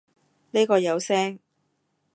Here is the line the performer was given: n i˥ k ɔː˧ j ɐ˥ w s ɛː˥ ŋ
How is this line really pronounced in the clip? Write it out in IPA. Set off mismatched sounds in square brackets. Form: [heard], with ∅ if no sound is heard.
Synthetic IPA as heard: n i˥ k ɔː˧ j [ɐ˨˧] w s ɛː˥ ŋ